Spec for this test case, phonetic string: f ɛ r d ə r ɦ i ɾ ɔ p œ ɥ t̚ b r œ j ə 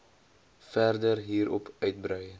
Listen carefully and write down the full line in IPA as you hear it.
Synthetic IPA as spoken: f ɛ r d ə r ɦ iː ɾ ɔ p œ ɥ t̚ b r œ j ə